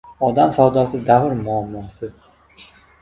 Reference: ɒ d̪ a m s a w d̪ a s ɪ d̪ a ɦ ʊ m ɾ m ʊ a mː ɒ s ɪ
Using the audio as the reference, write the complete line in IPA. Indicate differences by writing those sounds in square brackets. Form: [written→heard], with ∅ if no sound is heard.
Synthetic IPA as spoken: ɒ d̪ a m s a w d̪ a s ɪ d̪ a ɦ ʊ [m→∅] ɾ m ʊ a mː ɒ s ɪ